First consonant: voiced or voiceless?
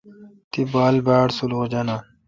voiceless